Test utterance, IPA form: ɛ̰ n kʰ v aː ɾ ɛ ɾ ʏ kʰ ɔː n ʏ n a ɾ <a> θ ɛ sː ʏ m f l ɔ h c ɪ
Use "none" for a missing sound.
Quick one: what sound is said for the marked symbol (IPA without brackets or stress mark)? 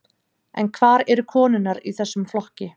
i